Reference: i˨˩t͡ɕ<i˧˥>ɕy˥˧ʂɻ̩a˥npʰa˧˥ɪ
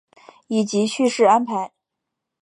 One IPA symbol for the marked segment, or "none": i˧˥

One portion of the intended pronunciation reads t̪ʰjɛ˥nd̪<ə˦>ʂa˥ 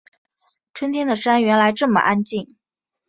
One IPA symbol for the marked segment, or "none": ə˨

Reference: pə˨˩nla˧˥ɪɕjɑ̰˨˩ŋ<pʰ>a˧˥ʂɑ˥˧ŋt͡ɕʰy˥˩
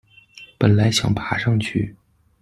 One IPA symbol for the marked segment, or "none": pʰ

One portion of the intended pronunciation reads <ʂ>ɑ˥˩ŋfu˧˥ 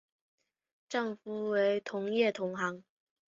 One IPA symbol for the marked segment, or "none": ʈ͡ʂ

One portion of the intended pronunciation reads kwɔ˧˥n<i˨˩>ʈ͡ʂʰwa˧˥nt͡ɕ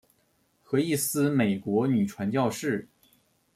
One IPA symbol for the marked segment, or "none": y˨˩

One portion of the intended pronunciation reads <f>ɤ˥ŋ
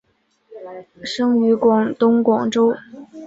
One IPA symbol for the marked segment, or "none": ʂ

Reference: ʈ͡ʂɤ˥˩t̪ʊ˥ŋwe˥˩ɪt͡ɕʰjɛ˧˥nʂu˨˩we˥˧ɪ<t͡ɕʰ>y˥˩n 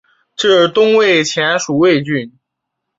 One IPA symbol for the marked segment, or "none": t͡ɕ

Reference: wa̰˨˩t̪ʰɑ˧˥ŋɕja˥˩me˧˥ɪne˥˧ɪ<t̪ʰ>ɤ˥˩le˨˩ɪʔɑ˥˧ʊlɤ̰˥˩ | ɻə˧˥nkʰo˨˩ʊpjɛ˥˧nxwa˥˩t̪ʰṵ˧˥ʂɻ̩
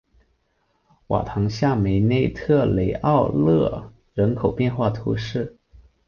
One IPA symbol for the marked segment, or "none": t̪ʰ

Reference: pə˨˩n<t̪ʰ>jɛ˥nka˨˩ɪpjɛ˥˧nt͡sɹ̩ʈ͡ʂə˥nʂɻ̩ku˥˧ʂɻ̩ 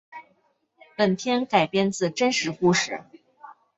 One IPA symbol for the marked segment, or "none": t̪ʰ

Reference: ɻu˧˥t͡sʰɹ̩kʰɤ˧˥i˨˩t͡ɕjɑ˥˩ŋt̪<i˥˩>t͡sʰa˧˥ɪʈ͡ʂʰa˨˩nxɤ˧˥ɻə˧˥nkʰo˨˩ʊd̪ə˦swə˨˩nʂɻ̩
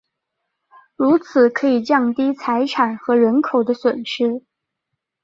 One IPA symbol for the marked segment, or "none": i˥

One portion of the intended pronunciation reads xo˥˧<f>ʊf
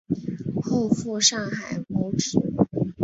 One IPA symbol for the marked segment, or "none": none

